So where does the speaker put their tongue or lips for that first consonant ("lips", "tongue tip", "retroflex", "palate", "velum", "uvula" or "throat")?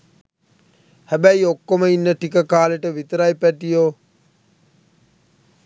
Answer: throat